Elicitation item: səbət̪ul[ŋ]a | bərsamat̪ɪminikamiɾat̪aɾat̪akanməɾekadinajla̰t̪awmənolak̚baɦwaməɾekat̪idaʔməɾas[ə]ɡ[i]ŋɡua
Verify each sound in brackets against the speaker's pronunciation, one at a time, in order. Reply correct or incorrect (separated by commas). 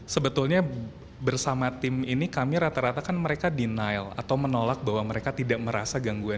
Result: incorrect, incorrect, incorrect